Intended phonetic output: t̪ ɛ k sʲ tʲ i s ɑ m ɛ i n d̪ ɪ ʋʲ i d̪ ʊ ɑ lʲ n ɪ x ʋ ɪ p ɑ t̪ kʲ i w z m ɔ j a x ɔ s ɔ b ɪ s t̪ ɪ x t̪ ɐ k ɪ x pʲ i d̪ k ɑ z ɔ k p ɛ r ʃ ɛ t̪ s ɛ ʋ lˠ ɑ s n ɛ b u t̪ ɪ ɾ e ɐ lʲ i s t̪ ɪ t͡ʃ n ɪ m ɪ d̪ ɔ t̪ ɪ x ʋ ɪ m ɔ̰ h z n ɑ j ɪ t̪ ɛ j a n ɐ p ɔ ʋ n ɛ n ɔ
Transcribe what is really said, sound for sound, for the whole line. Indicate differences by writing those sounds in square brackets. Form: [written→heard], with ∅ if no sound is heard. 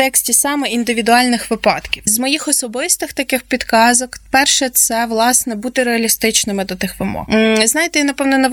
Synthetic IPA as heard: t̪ ɛ k sʲ tʲ i s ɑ m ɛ i n d̪ ɪ ʋʲ i d̪ ʊ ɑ lʲ n ɪ x ʋ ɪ p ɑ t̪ kʲ i w z m ɔ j [a→i] x ɔ s ɔ b ɪ s t̪ ɪ x t̪ ɐ k ɪ x pʲ i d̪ k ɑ z ɔ k p ɛ r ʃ ɛ t̪ s ɛ ʋ lˠ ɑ s n ɛ b u t̪ ɪ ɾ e ɐ lʲ i s t̪ ɪ t͡ʃ n ɪ m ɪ d̪ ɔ t̪ ɪ x ʋ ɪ m ɔ̰ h z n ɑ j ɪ t̪ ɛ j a n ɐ p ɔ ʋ n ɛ n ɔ